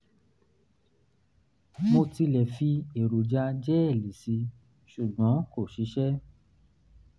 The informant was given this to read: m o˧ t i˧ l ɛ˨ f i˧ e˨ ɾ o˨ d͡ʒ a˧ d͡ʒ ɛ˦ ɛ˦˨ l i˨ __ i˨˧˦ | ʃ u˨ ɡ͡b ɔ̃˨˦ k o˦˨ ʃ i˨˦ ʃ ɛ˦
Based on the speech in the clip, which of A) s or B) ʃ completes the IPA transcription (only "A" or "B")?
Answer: A